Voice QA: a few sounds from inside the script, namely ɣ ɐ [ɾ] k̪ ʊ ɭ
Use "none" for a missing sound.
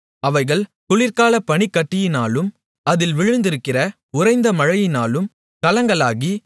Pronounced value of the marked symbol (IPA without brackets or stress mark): ɭ